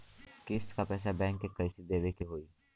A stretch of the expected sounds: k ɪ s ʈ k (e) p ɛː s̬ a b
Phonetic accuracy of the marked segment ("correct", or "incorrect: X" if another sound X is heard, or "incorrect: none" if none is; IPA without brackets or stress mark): incorrect: a